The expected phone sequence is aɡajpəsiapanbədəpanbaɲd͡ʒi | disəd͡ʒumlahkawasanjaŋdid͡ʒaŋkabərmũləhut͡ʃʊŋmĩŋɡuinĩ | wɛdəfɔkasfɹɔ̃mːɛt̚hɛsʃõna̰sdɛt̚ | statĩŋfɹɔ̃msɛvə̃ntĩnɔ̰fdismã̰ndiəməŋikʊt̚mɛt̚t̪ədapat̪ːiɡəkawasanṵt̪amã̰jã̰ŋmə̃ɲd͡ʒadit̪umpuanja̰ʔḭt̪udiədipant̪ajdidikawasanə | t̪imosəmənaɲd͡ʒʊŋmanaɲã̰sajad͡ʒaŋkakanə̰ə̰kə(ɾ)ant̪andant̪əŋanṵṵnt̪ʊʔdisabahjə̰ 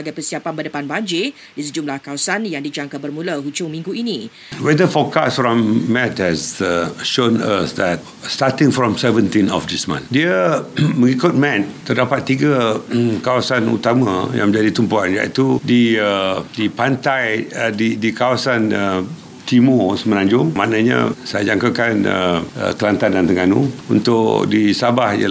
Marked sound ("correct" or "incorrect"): incorrect